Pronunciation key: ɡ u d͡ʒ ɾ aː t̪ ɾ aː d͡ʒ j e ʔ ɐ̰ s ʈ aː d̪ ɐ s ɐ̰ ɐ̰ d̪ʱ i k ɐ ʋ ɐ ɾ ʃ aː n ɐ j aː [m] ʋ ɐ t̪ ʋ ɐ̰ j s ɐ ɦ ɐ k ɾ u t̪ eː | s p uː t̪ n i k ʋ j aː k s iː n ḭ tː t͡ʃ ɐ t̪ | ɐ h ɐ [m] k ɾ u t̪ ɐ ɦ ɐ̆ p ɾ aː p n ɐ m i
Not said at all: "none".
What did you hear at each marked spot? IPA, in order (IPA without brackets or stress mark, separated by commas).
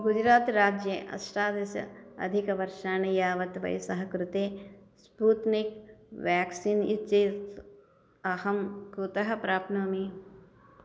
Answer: none, m